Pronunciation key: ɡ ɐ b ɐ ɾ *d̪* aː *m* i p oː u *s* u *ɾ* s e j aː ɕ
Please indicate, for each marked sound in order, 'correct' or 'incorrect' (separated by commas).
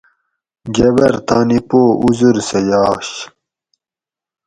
incorrect, incorrect, incorrect, correct